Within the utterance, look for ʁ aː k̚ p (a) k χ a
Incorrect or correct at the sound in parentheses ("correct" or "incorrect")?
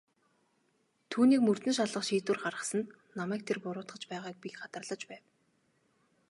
incorrect